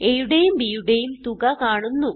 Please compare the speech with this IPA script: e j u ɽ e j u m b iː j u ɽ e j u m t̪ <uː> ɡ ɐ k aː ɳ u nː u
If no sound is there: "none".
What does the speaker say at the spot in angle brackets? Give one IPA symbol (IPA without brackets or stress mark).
u